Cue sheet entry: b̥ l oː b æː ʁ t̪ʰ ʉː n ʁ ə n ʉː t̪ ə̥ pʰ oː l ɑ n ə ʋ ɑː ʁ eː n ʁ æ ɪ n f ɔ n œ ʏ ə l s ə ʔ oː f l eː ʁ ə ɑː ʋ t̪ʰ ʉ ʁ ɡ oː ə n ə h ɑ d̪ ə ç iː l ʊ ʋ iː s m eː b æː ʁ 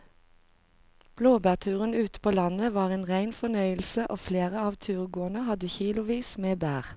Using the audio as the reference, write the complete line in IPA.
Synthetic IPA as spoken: b̥ l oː b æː ʁ t̪ʰ ʉː ʁ ə n ʉː t̪ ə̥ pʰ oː l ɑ n ə ʋ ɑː ʁ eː n ʁ æ ɪ n f ɔ n œ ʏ ə l s ə ʔ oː f l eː ʁ ə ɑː ʋ t̪ʰ ʉː ʁ ɡ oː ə n ə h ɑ d̪ ə ç iː l ʊ ʋ iː s m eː b æː ʁ

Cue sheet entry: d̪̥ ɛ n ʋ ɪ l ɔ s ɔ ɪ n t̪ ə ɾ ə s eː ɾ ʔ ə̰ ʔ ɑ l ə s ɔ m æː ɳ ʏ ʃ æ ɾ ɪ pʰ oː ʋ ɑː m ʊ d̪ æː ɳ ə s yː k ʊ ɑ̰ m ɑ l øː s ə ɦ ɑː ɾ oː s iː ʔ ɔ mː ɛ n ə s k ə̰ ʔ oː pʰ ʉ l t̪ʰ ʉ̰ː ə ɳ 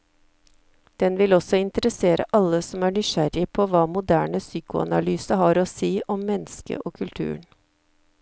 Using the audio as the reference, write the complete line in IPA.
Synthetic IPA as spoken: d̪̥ ɛ n ʋ ɪ l ɔ s ɔ ɪ n t̪ ə ɾ ə s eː ɾ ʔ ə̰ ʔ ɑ l ə s ɔ m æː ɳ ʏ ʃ æ ɾ ɪ pʰ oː ʋ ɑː m ʊ d̪ æː ɳ ə s yː k ʊ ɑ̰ n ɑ l yː s ə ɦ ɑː ɾ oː s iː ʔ ɔ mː ɛ n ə s k ə̰ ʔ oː kʰ ʉ l t̪ʰ ʉ̰ː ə ɳ

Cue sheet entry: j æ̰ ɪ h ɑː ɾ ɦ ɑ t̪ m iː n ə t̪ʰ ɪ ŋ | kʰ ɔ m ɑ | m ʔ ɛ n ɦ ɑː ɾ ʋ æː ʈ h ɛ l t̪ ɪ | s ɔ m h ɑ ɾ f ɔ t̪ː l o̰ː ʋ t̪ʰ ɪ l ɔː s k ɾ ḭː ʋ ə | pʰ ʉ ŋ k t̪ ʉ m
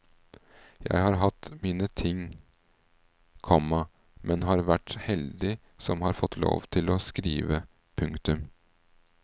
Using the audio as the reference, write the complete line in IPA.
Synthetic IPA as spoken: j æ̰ ɪ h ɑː ɾ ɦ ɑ t̪ m iː n ə t̪ʰ ɪ ŋ | kʰ ɔ m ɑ | m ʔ ɛ n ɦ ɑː ɾ ʋ æ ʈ h ɛ l d̪ ɪ | s ɔ m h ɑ ɾ f ɔ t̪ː l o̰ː ʋ t̪ʰ ɪ l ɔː s k ɾ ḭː ʋ ə | pʰ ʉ ŋ k t̪ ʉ m

